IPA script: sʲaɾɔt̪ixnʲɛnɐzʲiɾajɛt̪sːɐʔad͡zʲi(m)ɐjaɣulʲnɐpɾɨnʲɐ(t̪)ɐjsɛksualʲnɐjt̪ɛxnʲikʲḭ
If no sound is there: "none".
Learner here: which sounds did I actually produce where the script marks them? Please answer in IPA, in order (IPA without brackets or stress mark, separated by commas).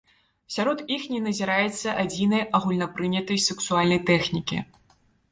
n, t̪